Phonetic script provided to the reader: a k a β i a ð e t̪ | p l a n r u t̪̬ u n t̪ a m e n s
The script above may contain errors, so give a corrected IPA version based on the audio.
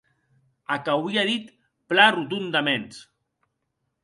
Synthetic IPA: a k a w i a ð i t̪ | p l a r u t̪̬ u n d̪ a m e n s